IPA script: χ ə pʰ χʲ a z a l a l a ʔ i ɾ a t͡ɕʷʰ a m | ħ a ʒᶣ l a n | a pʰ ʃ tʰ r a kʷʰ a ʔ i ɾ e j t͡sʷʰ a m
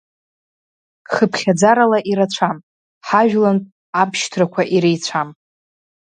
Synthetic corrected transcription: χ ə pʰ χʲ a d͡z a ɾ a l a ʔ i ɾ a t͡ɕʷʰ a m | ħ a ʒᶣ l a n | a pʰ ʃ tʰ r a kʷʰ a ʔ i ɾ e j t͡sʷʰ a m

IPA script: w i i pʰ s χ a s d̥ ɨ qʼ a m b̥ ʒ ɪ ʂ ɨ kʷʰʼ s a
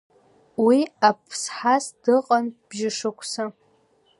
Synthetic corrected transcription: w i a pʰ s ħ a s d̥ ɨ qʼ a n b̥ ʒ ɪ ʂ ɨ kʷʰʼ s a

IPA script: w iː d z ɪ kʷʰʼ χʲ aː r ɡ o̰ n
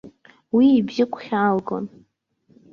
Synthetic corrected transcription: w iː b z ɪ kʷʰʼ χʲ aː l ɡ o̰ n

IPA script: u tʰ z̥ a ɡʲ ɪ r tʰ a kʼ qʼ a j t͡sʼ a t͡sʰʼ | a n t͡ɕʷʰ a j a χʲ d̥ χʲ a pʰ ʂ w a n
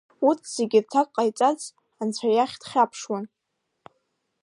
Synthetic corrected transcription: u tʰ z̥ e ɡʲ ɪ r tʰ a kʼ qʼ a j t͡sʼ a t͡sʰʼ | a n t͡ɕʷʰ a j a χʲ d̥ χʲ a pʰ ʂ w a n

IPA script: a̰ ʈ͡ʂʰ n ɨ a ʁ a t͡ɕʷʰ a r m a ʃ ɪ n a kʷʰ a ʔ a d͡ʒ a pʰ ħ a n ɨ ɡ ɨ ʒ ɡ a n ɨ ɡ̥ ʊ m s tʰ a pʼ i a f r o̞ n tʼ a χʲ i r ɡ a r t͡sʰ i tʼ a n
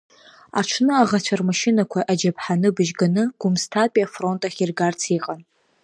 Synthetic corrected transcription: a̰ ʈ͡ʂʰ n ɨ a ʁ a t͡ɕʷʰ a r m a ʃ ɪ n a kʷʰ a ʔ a d͡ʒ a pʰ ħ a n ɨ b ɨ ʒ ɡ a n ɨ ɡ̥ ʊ m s tʰ a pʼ i a f r o̞ n tʼ a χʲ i r ɡ a r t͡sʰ i qʼ a n

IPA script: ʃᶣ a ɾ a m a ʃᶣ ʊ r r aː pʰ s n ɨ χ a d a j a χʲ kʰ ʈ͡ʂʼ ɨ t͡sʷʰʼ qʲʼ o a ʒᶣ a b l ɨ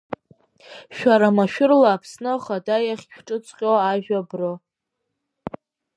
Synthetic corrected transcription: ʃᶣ a ɾ a m a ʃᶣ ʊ r l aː pʰ s n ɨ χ a d a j a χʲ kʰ ʈ͡ʂʼ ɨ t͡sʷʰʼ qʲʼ o a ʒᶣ a b r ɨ

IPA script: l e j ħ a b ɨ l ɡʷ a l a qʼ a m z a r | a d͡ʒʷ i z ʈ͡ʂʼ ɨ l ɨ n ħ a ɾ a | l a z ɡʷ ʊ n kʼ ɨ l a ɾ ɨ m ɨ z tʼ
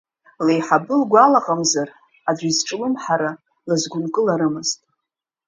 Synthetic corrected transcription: l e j ħ a b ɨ l ɡʷ a l a qʼ a m z a r | a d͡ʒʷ i z ʈ͡ʂʼ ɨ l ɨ m ħ a ɾ a | l a z ɡʷ ʊ n kʼ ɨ l a ɾ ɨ m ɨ z tʼ

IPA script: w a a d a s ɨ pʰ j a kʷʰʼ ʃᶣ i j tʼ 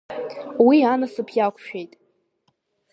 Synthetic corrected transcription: w i a n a s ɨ pʰ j a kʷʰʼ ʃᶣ e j tʼ

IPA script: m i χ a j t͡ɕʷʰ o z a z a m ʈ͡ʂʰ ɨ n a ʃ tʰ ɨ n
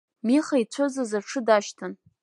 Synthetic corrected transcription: m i χ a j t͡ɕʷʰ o z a z a ʈ͡ʂʰ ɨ d a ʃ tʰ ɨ n

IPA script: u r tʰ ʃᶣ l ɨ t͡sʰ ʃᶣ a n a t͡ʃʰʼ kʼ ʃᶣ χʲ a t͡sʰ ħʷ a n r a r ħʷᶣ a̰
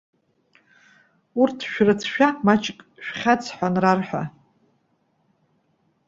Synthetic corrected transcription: u r tʰ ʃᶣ r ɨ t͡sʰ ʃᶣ a m a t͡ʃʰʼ kʼ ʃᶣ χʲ a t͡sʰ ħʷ a n r a r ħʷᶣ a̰

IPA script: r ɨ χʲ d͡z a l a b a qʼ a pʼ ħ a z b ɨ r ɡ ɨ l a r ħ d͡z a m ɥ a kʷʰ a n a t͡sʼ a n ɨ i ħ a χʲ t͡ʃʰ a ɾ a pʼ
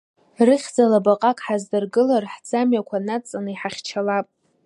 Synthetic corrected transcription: r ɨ χʲ d͡z a l a b a qʼ a kʼ ħ a z d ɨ r ɡ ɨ l a r ħ d͡z a m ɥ a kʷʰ a n a t͡sʼ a n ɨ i ħ a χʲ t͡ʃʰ a l a pʼ

